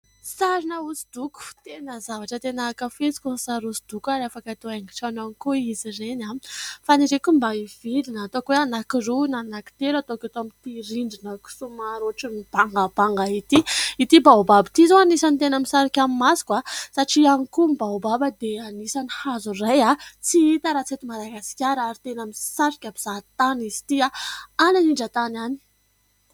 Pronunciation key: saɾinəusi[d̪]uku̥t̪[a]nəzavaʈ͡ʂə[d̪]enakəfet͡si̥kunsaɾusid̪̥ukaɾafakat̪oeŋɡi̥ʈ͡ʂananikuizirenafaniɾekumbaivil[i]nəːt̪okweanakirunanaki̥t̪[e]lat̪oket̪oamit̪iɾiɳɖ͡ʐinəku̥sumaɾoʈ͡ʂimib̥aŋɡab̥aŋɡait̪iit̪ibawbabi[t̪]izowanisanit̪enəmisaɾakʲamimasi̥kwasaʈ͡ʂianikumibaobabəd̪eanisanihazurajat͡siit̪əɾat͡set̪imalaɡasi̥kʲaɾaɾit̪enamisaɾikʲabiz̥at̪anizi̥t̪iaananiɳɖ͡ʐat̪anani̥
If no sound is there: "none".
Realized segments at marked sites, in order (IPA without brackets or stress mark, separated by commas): d̪, e, t̪, i, e, t̪